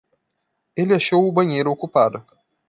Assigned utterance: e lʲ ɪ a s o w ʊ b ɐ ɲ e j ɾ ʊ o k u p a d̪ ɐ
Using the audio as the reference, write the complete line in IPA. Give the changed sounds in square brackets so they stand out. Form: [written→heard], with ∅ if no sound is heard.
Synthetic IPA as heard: e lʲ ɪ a [s→ʃ] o w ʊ b ɐ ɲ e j ɾ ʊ o k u p a d̪ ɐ